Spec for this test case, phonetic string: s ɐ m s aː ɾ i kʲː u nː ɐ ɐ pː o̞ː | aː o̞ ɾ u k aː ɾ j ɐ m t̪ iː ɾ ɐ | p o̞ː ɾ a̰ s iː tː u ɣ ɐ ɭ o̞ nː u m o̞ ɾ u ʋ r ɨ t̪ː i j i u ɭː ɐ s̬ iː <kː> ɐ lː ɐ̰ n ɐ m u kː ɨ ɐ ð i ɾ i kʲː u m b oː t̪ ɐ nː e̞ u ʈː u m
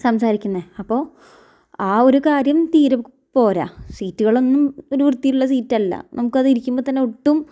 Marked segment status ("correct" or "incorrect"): incorrect